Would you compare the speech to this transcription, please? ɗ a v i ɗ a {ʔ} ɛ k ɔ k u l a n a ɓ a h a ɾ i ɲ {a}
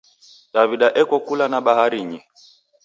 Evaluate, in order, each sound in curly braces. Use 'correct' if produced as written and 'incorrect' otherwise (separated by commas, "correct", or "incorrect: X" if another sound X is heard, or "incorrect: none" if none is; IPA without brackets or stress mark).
correct, incorrect: i